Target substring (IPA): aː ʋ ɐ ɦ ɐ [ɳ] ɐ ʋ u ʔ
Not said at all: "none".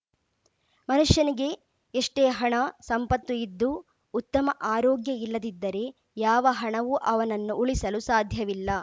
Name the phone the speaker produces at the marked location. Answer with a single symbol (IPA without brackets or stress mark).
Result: ɳ